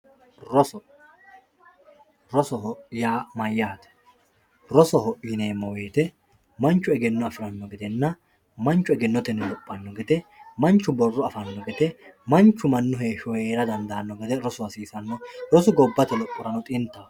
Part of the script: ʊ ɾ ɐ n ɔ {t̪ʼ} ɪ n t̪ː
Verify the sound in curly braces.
correct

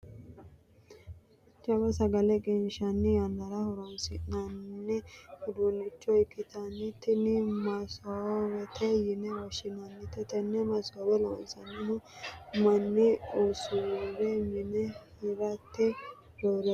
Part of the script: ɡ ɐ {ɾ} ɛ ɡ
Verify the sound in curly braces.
incorrect: l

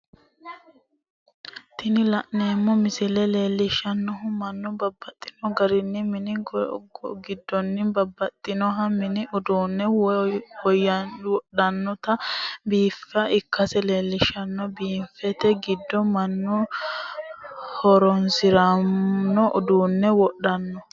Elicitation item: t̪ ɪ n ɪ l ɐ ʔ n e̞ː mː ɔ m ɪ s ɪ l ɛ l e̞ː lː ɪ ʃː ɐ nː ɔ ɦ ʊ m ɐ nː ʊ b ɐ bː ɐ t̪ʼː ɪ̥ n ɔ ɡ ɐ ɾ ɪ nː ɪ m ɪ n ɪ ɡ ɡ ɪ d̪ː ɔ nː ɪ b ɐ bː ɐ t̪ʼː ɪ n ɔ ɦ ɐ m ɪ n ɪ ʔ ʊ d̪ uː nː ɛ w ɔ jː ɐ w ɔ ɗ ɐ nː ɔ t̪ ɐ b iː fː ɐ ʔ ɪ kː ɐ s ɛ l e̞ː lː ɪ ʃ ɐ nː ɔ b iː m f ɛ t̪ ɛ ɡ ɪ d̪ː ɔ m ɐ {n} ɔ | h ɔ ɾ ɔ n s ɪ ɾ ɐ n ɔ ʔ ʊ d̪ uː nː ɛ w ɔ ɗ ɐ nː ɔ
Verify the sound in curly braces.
incorrect: nː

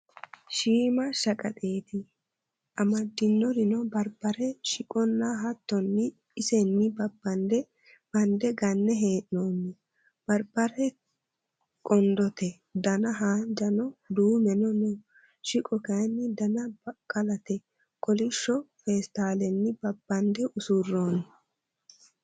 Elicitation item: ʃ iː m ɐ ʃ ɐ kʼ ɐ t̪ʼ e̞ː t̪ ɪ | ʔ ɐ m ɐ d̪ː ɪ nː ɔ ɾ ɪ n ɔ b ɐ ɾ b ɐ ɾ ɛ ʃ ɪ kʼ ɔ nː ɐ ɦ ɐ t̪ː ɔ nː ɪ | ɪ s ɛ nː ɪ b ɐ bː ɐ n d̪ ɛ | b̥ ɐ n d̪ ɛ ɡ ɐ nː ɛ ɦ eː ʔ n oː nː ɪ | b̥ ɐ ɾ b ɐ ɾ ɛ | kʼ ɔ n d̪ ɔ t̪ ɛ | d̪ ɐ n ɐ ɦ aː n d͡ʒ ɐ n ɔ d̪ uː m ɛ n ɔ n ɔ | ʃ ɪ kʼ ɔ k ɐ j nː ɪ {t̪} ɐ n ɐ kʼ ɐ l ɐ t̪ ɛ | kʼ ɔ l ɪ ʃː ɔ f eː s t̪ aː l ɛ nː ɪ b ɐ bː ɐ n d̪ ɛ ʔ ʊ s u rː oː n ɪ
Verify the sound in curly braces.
incorrect: d̪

